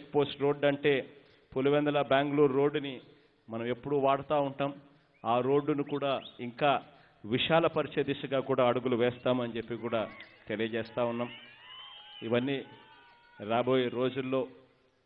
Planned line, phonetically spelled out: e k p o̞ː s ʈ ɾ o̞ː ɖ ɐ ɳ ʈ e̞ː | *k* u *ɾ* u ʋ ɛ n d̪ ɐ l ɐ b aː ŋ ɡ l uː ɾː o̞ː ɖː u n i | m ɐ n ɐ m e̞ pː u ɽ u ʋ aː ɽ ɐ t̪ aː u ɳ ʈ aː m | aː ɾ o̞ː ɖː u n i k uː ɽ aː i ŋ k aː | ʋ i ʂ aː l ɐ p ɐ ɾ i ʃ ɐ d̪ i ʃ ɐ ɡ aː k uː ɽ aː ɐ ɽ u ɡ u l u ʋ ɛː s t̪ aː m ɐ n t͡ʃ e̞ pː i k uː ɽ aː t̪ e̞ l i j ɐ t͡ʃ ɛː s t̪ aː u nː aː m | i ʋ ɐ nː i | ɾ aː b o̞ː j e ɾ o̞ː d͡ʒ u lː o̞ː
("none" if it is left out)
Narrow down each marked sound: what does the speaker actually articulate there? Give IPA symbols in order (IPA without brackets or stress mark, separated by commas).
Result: p, l